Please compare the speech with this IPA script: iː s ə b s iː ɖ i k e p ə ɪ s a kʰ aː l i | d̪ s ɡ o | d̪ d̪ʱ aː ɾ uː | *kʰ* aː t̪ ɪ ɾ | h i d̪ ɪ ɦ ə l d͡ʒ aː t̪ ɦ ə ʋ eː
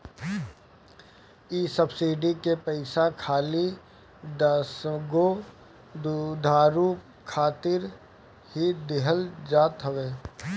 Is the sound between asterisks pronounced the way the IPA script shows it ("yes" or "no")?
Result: yes